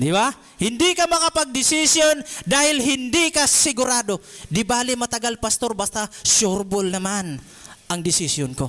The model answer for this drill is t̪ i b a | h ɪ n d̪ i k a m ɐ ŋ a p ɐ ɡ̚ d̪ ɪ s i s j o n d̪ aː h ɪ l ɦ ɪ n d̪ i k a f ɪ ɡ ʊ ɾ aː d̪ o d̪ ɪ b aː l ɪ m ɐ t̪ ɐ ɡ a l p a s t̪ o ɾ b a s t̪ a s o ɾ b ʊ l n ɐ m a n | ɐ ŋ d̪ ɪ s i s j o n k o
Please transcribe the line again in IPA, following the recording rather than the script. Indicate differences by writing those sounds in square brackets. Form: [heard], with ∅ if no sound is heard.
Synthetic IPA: [d̪] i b a | h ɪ n d̪ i k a m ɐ ŋ a p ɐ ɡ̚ d̪ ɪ s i s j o n d̪ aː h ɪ l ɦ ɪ n d̪ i k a [s] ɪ ɡ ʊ ɾ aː d̪ o d̪ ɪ b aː l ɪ m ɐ t̪ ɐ ɡ a l p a s t̪ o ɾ b a s t̪ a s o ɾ b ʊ l n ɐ m a n | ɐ ŋ d̪ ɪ s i s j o n k o